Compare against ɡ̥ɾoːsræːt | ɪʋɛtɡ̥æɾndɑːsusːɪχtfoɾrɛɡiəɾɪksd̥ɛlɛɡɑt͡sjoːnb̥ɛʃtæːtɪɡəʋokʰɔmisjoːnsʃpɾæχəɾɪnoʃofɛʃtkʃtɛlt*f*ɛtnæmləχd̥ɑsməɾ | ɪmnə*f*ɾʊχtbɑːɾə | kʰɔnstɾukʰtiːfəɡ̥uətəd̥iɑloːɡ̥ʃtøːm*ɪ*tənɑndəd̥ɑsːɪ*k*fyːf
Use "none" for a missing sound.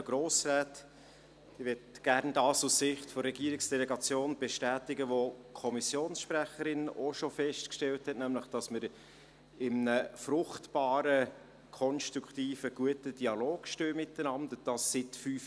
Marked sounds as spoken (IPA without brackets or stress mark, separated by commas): h, f, ɪ, t